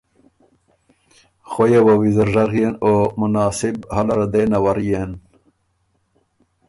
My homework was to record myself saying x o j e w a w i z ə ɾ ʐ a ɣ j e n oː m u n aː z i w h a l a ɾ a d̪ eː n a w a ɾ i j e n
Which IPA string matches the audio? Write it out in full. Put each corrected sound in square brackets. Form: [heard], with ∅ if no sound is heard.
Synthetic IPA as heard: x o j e w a w i z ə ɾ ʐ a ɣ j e n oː m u n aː [s] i [b] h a l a ɾ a d̪ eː n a w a ɾ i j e n